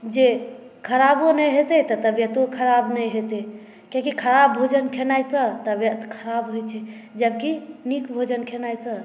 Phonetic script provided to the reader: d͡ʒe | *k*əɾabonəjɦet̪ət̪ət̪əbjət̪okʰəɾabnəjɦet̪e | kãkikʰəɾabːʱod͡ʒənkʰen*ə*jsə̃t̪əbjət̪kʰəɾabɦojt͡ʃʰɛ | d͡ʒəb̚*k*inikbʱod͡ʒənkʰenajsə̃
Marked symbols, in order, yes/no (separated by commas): no, no, yes